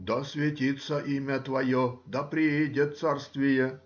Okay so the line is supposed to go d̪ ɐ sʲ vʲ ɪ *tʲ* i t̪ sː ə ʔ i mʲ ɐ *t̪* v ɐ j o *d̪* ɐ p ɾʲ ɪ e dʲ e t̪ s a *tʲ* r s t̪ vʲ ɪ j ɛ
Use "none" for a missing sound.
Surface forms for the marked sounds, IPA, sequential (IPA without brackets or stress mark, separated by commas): tʲ, t̪, d̪, none